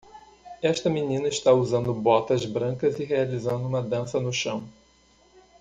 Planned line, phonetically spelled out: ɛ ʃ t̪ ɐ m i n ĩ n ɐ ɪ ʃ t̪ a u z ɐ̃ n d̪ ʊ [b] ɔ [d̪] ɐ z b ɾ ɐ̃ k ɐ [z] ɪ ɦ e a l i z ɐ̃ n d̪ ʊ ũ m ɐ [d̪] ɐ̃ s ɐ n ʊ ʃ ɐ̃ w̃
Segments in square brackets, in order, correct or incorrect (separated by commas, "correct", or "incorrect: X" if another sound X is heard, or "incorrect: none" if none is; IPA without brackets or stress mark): correct, incorrect: t̪, correct, correct